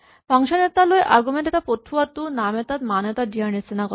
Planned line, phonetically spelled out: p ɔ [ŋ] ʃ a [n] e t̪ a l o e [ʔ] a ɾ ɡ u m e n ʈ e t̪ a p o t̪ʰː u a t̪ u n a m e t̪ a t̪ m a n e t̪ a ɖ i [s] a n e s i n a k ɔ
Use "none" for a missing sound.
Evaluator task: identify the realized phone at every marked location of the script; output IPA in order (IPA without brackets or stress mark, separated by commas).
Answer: ŋ, n, ʔ, none